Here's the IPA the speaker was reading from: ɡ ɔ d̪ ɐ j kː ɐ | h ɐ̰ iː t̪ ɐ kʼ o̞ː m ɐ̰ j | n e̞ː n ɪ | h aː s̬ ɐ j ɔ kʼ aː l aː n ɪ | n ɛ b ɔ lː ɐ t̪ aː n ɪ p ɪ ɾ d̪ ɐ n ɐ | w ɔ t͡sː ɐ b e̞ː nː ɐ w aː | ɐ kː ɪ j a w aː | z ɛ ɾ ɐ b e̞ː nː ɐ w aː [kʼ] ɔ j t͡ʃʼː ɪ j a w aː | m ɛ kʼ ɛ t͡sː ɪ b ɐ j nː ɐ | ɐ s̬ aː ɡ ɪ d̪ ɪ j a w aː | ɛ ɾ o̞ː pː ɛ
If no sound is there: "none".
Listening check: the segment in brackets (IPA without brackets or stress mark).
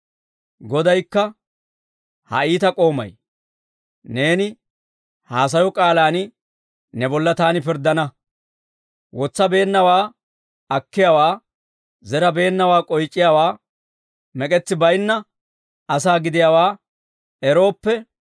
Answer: kʼ